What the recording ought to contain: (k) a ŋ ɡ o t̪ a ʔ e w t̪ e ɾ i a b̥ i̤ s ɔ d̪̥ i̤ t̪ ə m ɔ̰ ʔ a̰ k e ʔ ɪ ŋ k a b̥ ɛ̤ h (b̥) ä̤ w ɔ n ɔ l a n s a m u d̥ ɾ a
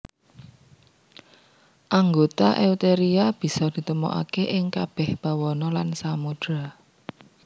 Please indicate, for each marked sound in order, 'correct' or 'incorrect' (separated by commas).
incorrect, correct